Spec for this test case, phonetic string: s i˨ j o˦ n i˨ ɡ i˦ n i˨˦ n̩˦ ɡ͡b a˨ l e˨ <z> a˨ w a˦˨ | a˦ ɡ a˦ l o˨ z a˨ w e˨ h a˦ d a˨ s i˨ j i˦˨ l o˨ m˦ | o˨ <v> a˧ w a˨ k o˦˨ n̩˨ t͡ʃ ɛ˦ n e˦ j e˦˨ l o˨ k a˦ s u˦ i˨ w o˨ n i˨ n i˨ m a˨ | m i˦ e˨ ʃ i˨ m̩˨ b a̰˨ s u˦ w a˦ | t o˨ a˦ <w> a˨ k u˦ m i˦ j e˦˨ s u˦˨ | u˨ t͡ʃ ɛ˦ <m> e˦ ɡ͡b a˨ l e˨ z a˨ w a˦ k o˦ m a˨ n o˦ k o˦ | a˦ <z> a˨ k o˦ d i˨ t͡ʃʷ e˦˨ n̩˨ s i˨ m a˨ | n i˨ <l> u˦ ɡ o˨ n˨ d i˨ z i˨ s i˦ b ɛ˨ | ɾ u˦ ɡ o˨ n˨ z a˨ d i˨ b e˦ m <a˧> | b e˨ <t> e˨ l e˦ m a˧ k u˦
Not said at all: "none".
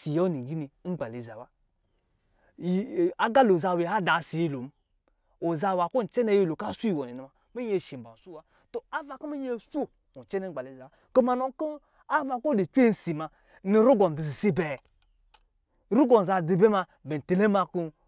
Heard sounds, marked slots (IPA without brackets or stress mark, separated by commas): z, z, v, n, v, ɾ, a˧, t